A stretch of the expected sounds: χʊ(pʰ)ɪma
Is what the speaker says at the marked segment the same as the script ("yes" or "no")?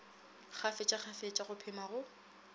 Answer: yes